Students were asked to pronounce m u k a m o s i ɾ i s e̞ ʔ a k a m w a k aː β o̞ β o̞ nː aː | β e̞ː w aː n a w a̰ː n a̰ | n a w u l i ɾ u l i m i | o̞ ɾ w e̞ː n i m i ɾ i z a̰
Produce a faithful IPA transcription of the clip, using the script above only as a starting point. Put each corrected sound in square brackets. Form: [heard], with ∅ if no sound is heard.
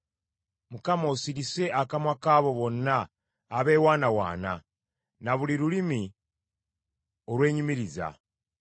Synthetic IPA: m u k a m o s i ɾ i s e̞ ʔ a k a m w a k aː β o̞ β o̞ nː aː | β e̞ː w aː n a w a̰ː n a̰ | n a [β] u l i ɾ u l i m i | o̞ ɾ w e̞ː [ɲ] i m i ɾ i z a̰

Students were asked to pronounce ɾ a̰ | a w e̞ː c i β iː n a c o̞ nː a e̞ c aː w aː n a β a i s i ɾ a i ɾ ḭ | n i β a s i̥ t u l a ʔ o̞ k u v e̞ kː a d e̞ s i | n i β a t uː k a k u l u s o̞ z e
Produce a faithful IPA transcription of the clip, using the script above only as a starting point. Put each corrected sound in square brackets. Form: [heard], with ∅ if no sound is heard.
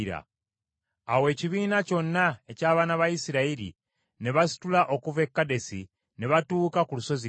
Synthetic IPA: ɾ a̰ | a w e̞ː c i β iː n a c o̞ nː a e̞ c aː [β] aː n a β a i s i ɾ a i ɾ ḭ | n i β a s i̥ t u l a ʔ o̞ k u v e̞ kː a d e̞ s i | n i β a t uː k a k u l u s o̞ z [i]

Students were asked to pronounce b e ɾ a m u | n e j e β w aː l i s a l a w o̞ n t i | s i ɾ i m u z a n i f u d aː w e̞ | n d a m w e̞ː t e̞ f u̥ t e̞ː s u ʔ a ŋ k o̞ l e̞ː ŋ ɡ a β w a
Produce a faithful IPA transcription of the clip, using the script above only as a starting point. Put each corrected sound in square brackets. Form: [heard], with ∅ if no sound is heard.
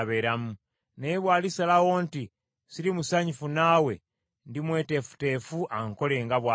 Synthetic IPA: [β] e ɾ a m u | n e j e β w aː l i s a l a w o̞ n t i | s i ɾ i m u [s] a [ɲ] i f u [n] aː w e̞ | n d [i] m w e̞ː t e̞ f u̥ t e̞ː [f] u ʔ a ŋ k o̞ l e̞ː ŋ ɡ a β w a

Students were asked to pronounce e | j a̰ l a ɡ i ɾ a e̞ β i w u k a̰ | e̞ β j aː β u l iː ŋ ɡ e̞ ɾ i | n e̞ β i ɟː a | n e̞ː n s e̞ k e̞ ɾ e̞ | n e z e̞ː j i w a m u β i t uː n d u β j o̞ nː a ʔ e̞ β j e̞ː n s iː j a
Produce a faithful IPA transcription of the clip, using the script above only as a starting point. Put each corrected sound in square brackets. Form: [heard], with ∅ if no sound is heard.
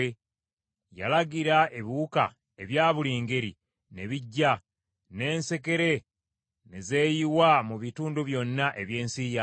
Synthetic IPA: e | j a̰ l a ɡ i ɾ a e̞ β i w u k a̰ | e̞ β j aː β u l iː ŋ ɡ e̞ ɾ i | n e̞ β i ɟː a | n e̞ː n s e̞ k e̞ ɾ e̞ | n e z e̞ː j i w a m u β i t uː n d u β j o̞ nː a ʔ e̞ β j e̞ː n s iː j a

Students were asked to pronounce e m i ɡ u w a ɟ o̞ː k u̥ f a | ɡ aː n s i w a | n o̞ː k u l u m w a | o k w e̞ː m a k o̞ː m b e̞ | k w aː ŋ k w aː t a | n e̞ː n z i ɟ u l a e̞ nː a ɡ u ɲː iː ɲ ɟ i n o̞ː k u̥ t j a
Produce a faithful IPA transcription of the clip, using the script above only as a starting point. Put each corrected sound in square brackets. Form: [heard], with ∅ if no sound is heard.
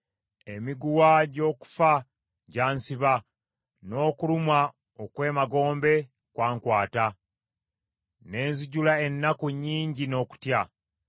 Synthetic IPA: e m i ɡ u w a ɟ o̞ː k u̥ f a | [ɟ] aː n s i [β] a | n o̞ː k u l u m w a | o k w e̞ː m a [ɡ] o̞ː m b e̞ | k w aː ŋ k w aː t a | n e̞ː n z i ɟ u l a e̞ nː a [k] u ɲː iː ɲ ɟ i n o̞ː k u̥ t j a

